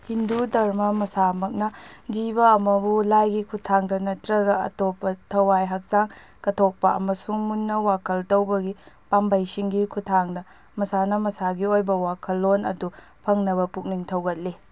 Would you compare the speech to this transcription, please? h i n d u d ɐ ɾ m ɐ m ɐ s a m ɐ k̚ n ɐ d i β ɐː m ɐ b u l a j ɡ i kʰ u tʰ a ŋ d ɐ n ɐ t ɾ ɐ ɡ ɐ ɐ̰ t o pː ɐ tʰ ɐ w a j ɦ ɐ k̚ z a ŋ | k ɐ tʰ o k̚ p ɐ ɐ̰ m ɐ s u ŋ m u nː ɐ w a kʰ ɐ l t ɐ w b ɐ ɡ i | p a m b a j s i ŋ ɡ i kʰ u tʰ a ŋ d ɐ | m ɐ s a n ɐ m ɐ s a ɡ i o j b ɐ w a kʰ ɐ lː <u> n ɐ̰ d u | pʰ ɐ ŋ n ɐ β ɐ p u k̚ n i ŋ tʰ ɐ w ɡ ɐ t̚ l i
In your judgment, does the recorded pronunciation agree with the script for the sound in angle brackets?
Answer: no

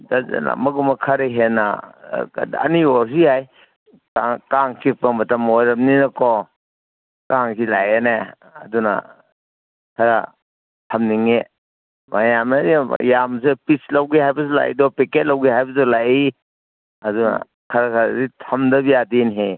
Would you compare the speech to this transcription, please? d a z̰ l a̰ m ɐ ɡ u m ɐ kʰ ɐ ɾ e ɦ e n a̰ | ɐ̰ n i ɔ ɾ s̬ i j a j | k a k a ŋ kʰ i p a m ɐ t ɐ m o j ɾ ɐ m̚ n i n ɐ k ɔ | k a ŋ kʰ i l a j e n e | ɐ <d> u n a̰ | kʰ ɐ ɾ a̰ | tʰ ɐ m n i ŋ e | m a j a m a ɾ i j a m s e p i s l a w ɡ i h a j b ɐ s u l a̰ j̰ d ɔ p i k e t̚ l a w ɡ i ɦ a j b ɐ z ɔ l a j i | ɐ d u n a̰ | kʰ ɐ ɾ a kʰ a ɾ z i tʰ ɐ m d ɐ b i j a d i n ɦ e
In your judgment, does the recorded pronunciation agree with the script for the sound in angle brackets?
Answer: yes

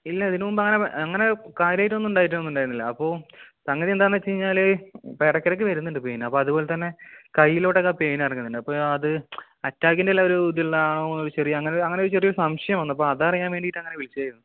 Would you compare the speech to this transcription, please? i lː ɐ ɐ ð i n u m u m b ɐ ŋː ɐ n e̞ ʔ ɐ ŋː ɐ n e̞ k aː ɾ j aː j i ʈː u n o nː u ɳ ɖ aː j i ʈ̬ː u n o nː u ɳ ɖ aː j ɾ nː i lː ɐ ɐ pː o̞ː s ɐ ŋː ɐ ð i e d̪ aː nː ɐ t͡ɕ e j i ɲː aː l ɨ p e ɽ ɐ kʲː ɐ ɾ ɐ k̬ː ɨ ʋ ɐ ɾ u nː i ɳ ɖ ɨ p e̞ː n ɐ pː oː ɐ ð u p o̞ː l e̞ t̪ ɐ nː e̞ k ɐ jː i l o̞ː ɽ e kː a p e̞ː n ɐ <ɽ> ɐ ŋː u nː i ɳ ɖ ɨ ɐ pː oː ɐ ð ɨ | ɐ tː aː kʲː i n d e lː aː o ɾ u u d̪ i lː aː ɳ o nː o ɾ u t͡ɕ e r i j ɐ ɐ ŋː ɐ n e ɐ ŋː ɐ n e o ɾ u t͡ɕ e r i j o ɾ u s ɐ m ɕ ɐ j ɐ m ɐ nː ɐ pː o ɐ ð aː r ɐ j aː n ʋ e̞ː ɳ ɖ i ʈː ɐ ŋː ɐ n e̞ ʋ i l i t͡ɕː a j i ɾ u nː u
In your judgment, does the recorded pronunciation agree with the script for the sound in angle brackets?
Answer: no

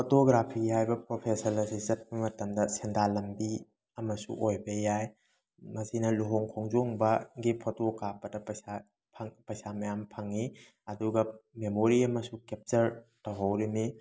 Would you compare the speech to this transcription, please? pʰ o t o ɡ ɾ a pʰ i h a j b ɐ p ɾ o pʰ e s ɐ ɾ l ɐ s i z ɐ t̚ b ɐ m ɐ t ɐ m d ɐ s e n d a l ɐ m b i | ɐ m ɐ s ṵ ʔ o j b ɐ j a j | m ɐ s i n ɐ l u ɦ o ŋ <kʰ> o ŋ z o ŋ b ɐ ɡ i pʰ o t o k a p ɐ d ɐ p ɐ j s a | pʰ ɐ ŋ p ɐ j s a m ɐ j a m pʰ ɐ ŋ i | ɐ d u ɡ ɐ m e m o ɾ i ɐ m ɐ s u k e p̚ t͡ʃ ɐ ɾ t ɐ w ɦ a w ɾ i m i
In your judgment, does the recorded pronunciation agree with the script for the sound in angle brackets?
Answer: yes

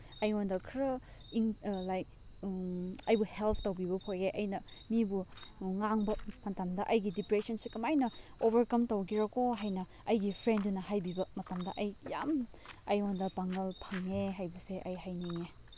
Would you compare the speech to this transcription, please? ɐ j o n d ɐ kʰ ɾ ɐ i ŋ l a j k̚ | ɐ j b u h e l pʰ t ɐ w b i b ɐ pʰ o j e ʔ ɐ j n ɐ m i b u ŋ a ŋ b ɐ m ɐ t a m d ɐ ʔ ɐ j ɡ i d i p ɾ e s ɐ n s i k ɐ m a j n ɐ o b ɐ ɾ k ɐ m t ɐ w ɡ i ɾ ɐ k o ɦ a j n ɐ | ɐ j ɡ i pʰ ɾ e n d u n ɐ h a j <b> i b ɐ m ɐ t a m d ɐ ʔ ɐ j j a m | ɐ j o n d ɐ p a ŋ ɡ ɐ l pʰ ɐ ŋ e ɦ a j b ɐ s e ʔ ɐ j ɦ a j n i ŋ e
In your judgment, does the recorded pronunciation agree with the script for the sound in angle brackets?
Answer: yes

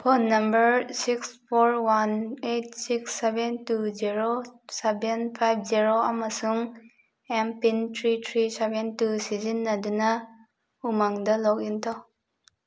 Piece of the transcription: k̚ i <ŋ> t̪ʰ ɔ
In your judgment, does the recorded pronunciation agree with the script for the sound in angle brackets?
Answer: no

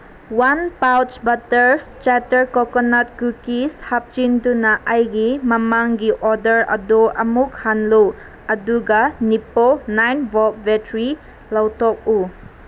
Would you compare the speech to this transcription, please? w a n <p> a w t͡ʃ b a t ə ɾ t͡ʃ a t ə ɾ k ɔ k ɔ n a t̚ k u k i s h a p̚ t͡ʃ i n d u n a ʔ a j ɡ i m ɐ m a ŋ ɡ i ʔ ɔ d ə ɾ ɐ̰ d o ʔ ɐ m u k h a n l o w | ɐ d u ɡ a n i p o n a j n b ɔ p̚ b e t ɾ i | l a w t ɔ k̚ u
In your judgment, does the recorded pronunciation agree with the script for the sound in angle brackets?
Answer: yes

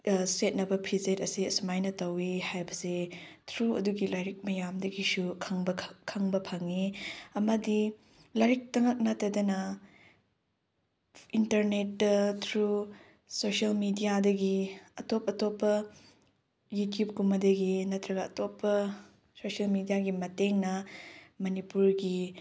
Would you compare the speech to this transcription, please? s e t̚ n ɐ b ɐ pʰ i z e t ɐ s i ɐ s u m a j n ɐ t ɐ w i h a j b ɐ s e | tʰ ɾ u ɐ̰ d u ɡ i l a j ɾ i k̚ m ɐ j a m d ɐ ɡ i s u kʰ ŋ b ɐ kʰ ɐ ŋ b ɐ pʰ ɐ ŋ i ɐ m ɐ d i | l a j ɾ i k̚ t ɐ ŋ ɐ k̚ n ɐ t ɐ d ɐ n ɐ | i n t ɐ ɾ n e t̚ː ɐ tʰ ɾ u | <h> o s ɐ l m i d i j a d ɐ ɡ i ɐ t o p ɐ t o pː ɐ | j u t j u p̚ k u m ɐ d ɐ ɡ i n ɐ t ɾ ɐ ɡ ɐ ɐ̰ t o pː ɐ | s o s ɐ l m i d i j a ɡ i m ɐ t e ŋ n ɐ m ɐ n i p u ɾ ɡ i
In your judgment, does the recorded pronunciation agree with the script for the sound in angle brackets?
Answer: no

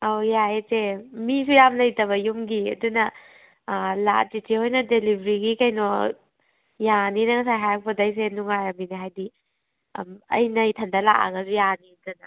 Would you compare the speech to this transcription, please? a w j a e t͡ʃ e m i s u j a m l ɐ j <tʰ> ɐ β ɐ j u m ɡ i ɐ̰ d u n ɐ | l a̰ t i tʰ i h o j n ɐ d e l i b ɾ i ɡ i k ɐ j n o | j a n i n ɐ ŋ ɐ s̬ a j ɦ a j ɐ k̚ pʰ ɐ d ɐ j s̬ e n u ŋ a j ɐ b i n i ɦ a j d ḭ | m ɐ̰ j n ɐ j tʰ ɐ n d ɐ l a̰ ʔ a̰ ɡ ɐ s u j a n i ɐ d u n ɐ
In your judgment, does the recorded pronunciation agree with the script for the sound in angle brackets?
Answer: no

